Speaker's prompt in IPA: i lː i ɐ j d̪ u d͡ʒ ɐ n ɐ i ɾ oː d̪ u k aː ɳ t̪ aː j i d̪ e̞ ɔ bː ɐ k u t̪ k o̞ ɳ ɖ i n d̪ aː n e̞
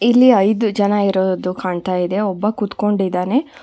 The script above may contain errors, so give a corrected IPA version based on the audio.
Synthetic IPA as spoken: i lː i ɐ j d̪ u d͡ʒ ɐ n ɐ i ɾ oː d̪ u k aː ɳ t̪ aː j i d̪ e̞ ɔ bː ɐ k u t̪ k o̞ ɳ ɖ i d̪ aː n e̞